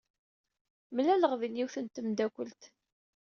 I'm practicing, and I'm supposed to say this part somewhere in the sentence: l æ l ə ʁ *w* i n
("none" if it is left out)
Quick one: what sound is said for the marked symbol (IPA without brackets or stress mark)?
v